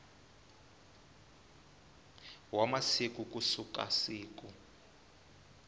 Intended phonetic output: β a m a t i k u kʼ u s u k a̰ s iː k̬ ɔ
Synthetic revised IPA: w a m a s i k u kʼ u s u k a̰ s iː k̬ u

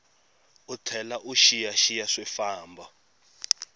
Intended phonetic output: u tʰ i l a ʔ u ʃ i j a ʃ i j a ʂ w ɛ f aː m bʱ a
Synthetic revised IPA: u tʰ ɛ l a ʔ u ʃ i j a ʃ i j a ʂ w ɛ f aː m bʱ a

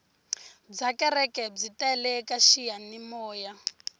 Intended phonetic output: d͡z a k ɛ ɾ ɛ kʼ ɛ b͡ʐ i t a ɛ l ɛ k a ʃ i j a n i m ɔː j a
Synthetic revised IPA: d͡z a k ɛ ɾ ɛ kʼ ɛ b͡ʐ i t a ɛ l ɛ k a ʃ i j a n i m ɔː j a

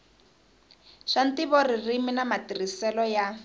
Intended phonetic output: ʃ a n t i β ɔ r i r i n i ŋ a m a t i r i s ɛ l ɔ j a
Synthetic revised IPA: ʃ a n t i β ɔ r i r i m i n a m a t i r i s ɛ l ɔ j a

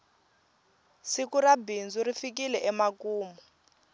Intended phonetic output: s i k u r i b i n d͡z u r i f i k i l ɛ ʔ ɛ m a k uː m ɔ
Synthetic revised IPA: s i k u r a b i n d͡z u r i f i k i l ɛ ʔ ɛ m a k uː m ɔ

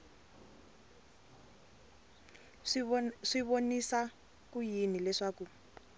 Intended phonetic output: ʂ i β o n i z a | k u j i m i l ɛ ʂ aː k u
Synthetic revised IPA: ʂ i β o n i s a | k u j i n i l ɛ ʂ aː k u

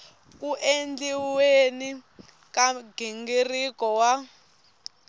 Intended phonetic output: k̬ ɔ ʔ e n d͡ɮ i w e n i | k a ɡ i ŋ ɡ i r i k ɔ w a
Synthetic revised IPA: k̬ u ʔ e n d͡ɮ i w e n i | k a ɡ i ŋ ɡ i r i k ɔ w a

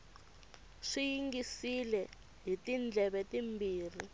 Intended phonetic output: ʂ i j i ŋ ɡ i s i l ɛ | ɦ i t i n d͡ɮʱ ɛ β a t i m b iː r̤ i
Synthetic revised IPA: ʂ i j i ŋ ɡ i s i l ɛ | ɦ i t i n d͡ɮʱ ɛ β ɛ t i m b iː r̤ i

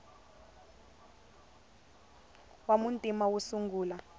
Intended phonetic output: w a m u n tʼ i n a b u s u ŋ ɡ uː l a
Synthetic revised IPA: w a m u n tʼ i m a w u s u ŋ ɡ uː l a

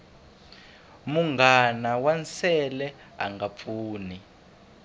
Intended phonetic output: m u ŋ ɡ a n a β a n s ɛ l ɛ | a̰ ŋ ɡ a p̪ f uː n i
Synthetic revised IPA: m u ŋ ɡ a n a w a n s ɛ l ɛ | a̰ ŋ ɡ a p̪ f uː n i

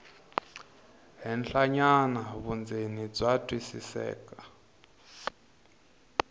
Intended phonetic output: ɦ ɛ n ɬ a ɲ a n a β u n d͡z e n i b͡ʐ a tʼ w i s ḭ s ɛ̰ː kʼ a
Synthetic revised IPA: ɦ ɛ n ɬ a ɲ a n a β u n d͡z e n i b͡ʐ a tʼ w i s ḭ s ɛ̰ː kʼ a

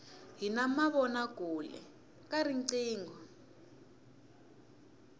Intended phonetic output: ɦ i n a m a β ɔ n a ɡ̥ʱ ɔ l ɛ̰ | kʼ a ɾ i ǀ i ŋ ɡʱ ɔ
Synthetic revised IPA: ɦ i n a m a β ɔ n a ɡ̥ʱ u l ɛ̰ | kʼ a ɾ i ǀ iː ŋ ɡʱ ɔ

